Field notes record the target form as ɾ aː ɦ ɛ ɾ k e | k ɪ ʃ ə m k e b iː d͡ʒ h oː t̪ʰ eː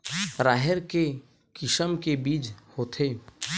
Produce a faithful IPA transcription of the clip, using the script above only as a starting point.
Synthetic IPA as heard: ɾ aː ɦ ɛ ɾ k e | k ɪ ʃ ə m k e b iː d͡ʒ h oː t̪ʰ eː